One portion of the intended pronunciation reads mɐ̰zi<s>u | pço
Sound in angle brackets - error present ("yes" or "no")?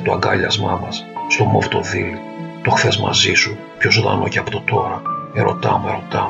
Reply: no